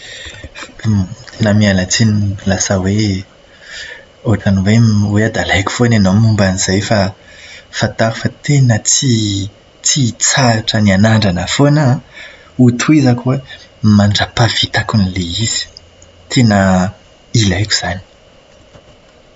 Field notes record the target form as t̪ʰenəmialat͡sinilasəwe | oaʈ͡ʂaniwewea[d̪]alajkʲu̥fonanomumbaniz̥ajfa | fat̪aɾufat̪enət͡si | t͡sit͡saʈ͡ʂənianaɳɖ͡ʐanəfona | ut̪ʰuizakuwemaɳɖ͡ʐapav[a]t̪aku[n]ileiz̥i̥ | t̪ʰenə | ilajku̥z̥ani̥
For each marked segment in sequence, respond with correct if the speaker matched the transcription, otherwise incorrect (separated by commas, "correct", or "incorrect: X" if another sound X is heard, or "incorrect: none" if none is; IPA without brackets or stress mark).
correct, incorrect: i, correct